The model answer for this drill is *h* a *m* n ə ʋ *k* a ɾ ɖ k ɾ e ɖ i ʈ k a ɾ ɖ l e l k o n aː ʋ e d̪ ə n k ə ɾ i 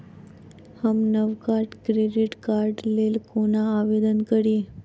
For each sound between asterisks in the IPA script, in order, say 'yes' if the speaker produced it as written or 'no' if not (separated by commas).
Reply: yes, yes, yes